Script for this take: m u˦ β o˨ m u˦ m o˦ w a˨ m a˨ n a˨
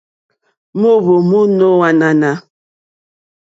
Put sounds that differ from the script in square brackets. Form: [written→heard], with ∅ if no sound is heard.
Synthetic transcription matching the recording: m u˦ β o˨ m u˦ [m→n] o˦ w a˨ [m→n] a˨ n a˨